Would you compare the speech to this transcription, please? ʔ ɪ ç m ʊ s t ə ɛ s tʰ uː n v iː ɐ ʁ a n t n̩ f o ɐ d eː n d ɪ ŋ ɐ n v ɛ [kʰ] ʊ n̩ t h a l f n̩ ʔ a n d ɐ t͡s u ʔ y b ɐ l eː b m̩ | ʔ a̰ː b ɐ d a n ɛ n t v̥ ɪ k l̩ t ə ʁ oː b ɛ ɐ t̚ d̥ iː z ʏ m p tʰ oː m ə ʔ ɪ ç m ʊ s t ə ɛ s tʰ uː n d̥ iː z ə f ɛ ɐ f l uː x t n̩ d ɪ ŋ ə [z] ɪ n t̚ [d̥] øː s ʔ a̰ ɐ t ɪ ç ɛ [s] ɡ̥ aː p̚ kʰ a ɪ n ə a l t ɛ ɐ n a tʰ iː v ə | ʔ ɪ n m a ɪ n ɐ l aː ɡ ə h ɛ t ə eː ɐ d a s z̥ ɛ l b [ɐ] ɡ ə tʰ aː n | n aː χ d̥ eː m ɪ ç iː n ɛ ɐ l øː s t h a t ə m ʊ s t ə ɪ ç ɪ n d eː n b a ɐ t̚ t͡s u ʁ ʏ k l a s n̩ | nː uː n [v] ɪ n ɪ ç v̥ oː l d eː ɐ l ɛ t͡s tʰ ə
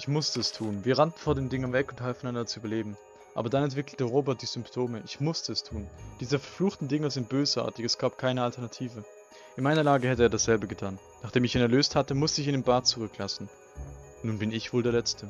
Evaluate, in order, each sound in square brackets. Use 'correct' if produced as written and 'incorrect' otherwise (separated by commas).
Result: incorrect, correct, incorrect, correct, incorrect, incorrect